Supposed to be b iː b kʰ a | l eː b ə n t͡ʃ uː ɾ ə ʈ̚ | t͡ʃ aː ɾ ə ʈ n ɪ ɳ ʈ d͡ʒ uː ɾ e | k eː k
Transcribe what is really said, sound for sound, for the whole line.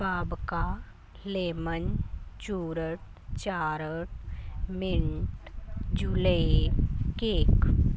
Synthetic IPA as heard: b aː b k a | l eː m ə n t͡ʃ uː ɾ ə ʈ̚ | t͡ʃ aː ɾ ə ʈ m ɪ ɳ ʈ d͡ʒ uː l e | k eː k